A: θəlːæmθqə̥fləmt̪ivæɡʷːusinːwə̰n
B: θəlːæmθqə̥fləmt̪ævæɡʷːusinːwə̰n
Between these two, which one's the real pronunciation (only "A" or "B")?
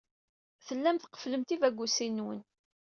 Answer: A